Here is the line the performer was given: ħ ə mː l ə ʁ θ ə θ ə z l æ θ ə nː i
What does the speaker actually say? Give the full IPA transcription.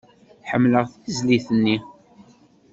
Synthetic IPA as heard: ħ ə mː l ə ʁ θ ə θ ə z l i θ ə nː i